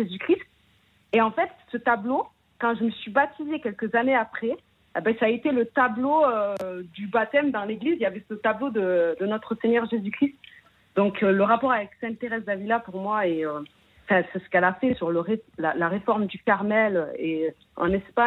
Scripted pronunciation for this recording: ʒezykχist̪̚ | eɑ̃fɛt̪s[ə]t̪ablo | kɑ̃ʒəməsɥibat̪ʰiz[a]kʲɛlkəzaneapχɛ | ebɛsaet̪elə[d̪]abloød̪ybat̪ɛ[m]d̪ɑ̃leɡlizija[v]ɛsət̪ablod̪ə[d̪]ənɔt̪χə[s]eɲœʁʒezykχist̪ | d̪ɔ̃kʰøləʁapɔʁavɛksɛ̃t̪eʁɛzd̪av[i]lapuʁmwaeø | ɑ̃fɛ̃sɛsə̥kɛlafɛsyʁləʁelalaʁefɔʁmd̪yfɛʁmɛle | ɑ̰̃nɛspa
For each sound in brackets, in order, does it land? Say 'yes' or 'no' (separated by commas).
yes, no, no, yes, yes, yes, yes, yes